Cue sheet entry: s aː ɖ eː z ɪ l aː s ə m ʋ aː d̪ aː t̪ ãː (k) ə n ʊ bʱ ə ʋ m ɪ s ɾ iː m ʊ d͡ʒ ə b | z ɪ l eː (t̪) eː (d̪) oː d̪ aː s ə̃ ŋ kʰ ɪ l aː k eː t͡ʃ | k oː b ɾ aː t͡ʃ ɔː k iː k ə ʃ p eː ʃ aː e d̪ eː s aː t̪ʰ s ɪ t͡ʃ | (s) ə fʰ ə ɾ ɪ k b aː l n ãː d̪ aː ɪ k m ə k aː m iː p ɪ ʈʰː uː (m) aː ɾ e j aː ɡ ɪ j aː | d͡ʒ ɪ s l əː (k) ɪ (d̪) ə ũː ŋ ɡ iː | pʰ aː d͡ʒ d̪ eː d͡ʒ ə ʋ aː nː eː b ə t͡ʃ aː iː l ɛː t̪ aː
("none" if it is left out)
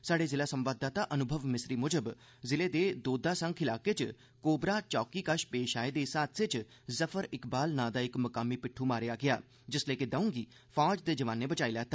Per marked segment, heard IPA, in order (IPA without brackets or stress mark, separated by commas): ʔ, d̪, d̪, z, m, k, d̪